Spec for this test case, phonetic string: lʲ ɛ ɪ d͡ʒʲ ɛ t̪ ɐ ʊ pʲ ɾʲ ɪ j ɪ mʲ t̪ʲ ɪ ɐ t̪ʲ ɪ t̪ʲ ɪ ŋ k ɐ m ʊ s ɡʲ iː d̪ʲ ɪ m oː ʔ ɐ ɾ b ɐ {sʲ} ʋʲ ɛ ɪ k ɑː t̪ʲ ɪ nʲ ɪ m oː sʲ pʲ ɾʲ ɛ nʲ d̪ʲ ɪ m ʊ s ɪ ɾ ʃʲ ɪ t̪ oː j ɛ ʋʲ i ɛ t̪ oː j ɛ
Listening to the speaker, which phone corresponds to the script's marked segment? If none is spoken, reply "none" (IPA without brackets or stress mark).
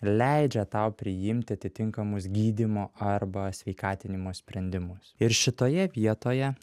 sʲ